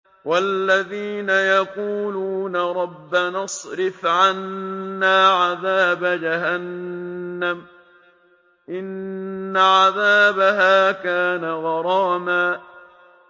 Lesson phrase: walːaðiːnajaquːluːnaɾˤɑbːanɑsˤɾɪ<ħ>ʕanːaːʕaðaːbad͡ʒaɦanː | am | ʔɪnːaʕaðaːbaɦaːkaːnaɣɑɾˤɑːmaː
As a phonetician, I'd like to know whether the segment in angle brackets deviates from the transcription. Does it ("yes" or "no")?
yes